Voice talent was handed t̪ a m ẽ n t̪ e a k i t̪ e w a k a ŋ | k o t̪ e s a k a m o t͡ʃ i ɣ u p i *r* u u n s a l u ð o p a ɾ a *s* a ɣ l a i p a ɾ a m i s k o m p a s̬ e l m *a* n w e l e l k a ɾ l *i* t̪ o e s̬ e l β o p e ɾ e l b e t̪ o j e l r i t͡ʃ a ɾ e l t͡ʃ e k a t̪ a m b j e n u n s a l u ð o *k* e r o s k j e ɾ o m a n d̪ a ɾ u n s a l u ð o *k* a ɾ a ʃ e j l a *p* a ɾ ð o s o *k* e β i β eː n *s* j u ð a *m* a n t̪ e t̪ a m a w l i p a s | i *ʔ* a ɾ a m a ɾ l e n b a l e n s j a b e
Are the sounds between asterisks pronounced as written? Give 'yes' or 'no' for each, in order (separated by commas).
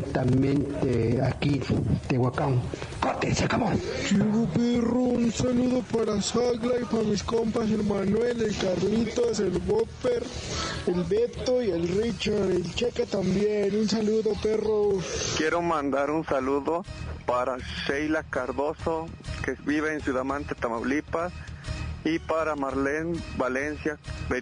yes, yes, yes, yes, no, no, no, yes, yes, yes, no